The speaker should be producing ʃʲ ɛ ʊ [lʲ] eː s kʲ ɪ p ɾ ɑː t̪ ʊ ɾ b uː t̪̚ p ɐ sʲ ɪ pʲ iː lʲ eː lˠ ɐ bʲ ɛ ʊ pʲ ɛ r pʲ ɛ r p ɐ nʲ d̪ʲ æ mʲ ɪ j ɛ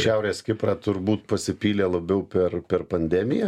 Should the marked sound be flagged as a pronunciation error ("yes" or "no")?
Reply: yes